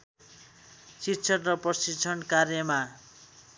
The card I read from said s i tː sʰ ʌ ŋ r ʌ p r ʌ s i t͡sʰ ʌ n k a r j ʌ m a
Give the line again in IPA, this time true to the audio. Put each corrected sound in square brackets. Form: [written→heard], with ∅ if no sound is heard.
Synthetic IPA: s i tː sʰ ʌ [ŋ→n] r ʌ p r ʌ s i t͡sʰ ʌ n k a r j ʌ m a